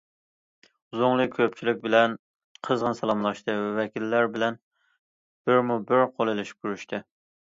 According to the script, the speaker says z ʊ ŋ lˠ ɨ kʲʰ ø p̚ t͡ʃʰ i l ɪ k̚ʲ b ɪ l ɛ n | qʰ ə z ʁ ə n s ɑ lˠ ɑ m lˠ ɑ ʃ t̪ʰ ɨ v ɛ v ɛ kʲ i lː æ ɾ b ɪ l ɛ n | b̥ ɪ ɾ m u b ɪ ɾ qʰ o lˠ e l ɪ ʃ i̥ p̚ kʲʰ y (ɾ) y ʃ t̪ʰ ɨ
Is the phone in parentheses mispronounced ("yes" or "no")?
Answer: no